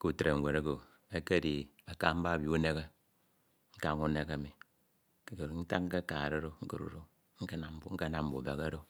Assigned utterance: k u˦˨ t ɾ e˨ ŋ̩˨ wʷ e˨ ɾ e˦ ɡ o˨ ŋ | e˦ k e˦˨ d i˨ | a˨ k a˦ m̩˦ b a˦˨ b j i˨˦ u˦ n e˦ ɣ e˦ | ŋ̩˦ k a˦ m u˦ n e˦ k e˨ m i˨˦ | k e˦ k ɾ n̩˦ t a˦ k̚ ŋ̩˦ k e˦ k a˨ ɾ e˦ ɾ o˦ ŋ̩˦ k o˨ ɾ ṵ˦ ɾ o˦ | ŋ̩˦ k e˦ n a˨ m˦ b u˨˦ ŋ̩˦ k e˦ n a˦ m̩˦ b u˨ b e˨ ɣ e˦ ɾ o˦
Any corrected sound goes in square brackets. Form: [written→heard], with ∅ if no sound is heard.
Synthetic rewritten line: k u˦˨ t ɾ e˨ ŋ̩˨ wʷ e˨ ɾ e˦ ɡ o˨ [ŋ→∅] | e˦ k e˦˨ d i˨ | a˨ k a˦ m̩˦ b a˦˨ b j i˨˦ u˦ n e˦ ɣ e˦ | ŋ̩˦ k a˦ [m→ŋ] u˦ n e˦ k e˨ m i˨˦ | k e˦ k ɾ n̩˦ t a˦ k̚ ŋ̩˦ k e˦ k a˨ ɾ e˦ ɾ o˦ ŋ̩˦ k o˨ ɾ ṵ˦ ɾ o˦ | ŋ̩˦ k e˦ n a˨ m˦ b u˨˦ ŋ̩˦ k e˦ n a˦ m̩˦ b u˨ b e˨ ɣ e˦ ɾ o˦